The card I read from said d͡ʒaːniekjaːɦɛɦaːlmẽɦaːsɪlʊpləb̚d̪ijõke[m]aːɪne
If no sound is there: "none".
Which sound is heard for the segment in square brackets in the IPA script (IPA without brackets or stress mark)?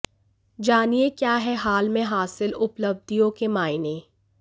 m